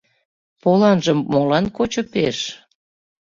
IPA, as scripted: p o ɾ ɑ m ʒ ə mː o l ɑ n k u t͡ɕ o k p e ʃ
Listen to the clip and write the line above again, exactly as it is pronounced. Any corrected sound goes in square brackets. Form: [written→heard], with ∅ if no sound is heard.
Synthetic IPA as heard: p o [ɾ→l] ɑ [m→n] ʒ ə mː o l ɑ n k [u→o] t͡ɕ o [k→∅] p e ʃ